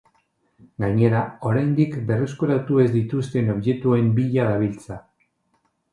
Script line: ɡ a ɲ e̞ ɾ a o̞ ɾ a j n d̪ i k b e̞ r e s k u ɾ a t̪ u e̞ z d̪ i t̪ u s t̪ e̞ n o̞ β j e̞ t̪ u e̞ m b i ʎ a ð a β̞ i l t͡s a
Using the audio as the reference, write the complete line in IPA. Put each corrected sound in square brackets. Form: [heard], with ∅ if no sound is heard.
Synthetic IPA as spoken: ɡ a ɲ e̞ ɾ a o̞ ɾ a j n d̪ i k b e̞ r e s k u ɾ a t̪ u e̞ z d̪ i t̪ u s t̪ e̞ n o̞ β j e̞ t̪ u e̞ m b i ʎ a ð a β̞ i l t͡s a